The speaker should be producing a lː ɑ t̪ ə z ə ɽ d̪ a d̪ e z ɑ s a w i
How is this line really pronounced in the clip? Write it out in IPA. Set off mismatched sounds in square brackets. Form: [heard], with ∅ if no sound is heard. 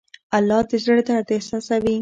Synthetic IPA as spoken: a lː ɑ [d̪] ə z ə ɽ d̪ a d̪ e [s] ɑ s a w i